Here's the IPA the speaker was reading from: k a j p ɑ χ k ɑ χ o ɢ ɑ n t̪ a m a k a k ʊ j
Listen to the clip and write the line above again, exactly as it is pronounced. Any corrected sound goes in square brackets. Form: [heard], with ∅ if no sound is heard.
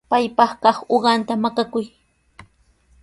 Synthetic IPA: [p] a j p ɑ χ k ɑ χ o ɢ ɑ n t̪ a m a k a k ʊ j

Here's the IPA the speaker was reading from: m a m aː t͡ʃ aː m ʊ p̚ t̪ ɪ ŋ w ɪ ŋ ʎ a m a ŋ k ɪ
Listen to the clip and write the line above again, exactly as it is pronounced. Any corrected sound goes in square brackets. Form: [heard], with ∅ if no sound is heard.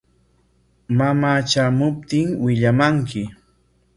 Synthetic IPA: m a m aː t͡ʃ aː m ʊ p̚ t̪ ɪ ŋ w ɪ [∅] ʎ a m a ŋ k ɪ

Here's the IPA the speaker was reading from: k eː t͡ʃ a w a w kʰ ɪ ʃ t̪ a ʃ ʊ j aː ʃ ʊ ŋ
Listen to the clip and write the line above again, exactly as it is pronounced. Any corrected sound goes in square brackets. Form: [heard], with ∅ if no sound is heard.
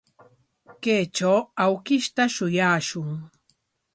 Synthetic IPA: k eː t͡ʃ a w a w [k] ɪ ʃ t̪ a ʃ ʊ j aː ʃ ʊ ŋ

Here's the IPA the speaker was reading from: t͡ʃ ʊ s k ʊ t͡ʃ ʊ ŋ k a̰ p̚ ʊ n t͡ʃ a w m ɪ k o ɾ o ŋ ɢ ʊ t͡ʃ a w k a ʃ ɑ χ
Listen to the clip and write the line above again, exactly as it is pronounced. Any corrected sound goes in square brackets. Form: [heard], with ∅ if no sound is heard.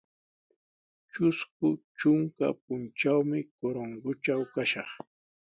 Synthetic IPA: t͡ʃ ʊ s k ʊ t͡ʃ ʊ ŋ k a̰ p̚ ʊ n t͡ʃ a w m ɪ k o ɾ o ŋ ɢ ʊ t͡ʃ a w k a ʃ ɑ χ

